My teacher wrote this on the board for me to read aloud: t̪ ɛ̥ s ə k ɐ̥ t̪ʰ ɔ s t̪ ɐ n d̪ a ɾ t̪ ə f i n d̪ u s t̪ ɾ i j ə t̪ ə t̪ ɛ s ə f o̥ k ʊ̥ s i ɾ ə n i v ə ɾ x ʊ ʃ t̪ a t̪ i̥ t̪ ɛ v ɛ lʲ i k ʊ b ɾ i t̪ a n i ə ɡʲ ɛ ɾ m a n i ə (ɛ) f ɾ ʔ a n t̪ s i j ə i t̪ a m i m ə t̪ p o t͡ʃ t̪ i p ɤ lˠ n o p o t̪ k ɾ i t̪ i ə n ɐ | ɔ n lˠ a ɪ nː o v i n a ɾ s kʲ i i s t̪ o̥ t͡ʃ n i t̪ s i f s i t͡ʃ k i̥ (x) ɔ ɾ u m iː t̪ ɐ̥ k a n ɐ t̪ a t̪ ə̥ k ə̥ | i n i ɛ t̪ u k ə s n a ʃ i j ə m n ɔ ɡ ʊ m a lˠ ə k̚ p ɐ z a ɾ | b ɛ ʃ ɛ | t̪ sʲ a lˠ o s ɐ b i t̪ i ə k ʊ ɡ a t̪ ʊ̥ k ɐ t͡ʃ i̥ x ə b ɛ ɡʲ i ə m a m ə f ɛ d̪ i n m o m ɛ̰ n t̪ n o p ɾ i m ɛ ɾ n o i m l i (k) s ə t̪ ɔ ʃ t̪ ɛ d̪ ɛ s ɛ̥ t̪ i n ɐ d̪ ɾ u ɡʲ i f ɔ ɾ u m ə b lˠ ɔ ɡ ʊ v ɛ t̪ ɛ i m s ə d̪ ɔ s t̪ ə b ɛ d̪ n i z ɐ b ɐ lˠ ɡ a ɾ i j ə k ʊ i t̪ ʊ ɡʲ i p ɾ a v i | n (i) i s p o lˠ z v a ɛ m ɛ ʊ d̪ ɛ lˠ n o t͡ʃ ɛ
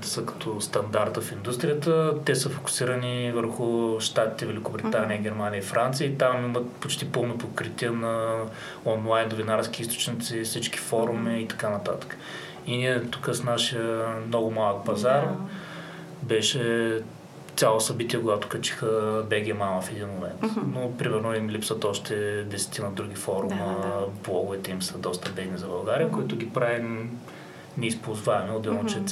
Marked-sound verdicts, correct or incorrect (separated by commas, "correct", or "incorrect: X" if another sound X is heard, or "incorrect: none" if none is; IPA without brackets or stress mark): incorrect: i, incorrect: f, incorrect: p, incorrect: ɛ